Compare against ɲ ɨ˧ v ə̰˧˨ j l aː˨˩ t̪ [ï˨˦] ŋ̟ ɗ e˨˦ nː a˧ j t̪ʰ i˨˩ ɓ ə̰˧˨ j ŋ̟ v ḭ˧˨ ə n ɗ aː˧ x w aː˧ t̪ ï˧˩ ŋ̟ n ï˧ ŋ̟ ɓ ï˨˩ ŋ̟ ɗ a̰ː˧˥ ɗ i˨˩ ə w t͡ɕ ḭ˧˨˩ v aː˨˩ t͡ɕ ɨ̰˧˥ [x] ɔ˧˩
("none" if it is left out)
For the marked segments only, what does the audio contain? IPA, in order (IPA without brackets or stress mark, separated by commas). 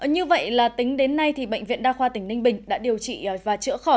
ï˨˦, x